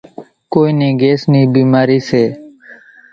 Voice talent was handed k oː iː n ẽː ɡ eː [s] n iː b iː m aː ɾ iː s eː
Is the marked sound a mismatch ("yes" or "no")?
no